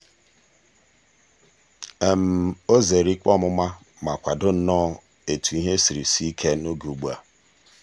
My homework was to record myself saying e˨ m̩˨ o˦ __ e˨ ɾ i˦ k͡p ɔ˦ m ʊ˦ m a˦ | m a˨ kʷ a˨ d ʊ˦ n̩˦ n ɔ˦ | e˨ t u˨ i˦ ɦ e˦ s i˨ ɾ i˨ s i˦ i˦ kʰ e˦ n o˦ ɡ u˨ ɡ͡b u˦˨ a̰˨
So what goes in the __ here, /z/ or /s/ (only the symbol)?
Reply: z